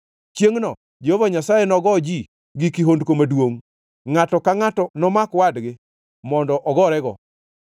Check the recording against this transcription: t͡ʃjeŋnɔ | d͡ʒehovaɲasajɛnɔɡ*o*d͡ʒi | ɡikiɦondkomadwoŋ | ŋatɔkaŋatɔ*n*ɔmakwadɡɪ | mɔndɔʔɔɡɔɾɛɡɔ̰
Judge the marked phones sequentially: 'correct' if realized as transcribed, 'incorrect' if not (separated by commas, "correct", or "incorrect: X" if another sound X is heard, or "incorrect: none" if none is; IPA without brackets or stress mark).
incorrect: ɔ, correct